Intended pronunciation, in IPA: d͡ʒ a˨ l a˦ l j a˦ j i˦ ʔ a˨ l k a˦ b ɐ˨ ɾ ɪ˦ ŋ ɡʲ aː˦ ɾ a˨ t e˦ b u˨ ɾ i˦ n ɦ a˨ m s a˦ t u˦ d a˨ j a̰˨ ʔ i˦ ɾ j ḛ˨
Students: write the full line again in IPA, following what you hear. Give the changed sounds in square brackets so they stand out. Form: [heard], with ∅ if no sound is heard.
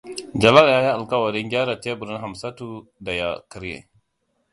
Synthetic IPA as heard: d͡ʒ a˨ l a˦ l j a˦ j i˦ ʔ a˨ l k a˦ [w] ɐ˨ ɾ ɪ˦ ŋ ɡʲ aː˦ ɾ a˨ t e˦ b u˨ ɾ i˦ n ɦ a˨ m s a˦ t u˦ d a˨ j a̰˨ [k] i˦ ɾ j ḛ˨